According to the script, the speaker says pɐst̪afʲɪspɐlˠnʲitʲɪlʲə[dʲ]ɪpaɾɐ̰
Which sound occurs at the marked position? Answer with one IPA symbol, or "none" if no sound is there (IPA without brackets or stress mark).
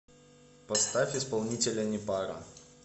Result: nʲ